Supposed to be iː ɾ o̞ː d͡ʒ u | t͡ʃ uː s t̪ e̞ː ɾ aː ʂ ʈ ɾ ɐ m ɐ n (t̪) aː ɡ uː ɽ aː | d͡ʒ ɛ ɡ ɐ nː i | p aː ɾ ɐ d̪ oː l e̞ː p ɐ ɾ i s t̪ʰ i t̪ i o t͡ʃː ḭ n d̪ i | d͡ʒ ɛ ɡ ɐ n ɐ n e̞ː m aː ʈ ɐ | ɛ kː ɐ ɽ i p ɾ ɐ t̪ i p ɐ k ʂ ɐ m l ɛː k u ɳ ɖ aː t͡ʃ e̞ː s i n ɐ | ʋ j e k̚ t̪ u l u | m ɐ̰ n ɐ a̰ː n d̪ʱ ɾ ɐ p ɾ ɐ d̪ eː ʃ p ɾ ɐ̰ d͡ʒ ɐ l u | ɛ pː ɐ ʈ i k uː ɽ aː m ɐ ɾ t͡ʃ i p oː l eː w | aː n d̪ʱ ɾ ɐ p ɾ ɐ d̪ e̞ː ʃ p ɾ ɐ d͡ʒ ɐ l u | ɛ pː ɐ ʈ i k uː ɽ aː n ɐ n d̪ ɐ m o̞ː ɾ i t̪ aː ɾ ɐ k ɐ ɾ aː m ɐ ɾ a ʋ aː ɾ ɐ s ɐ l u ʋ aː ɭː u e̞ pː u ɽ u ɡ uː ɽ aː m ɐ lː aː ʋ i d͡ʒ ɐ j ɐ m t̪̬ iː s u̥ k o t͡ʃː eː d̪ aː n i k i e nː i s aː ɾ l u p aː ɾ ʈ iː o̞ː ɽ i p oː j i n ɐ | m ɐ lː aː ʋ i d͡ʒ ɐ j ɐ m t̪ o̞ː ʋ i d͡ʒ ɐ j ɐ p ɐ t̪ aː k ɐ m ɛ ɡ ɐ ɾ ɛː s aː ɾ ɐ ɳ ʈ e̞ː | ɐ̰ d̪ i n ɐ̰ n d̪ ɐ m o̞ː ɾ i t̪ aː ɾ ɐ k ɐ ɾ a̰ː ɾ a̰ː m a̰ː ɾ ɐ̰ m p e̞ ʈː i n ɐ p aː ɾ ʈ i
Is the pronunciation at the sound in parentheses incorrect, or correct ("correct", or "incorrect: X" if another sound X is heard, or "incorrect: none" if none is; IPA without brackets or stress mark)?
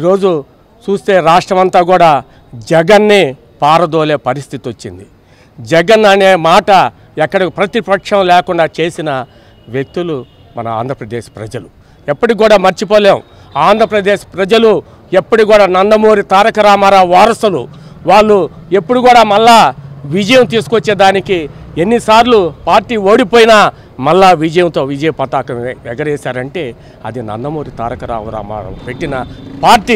correct